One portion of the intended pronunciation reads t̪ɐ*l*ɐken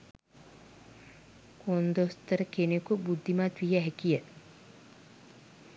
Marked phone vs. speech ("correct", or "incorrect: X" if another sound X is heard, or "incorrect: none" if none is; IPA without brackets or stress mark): incorrect: ɾ